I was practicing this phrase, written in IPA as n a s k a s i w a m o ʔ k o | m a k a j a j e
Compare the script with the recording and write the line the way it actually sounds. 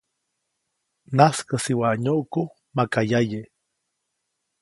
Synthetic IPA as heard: n a s k a s i w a ɲ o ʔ k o | m a k a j a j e

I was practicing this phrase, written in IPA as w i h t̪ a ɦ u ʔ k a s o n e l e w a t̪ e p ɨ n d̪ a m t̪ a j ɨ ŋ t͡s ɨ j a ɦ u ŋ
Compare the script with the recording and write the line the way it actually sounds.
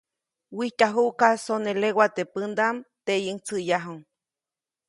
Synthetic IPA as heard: w i h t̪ a ɦ u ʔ k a s o n e l e w a t̪ e p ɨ n d̪ a m t̪ e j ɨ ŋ t͡s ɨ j a ɦ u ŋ

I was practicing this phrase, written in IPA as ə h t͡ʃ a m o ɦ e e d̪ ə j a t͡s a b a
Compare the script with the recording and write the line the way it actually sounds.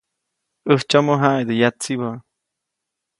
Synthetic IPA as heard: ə h t͡ʃ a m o ɦ a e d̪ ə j a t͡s i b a

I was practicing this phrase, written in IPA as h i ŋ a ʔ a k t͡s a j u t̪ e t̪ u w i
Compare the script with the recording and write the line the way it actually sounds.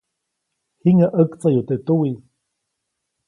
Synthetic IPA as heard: h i ŋ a ʔ ə k t͡s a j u t̪ e t̪ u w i

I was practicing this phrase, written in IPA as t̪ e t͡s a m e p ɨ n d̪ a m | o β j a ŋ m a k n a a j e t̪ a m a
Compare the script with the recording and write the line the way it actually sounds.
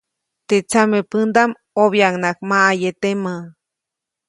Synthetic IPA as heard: t̪ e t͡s a m e p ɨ n d̪ a m | o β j a ŋ n a k m a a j e t̪ e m a

